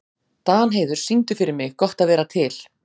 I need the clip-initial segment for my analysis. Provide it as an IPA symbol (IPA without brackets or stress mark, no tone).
t̪